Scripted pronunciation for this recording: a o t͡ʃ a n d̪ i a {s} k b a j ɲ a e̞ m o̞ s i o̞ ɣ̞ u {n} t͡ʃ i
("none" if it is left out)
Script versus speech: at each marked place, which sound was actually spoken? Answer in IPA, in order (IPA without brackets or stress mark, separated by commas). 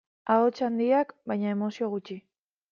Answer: none, none